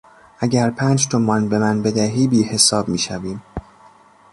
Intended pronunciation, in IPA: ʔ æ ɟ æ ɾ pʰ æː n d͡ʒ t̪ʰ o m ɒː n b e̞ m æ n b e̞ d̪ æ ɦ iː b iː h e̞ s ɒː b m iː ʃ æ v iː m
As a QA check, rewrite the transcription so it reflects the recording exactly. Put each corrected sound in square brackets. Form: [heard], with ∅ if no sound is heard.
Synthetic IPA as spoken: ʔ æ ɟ æ ɾ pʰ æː n d͡ʒ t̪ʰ o m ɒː n b e̞ m æ n b e̞ d̪ æ ɦ iː b iː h e̞ s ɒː b m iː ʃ æ v iː m